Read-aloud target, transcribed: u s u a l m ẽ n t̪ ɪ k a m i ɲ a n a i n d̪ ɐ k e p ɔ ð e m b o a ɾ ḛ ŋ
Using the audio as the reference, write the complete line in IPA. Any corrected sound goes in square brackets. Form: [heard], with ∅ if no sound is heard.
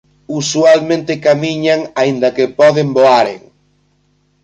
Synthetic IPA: u s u a l m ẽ n t̪ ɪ k a m i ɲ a [ŋ] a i n d̪ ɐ k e p ɔ ð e m b o a ɾ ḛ ŋ